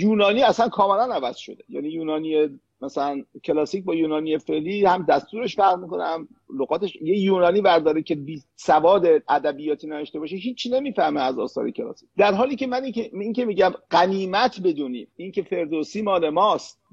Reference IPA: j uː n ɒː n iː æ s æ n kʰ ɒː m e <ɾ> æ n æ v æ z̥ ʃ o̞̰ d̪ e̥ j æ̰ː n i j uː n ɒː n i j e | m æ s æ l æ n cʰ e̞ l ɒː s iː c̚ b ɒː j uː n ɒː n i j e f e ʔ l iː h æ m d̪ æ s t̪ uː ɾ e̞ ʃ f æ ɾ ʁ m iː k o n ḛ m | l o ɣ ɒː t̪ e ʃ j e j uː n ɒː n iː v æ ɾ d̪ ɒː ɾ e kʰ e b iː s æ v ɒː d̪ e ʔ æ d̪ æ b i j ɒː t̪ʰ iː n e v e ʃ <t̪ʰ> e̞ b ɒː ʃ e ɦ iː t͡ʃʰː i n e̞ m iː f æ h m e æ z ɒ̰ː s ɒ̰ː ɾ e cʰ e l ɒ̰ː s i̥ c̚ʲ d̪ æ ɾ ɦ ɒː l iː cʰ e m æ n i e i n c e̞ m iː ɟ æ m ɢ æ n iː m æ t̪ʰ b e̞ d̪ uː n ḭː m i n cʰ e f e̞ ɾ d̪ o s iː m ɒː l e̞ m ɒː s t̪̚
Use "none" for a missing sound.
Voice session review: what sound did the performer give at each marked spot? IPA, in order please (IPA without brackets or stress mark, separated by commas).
l, t̪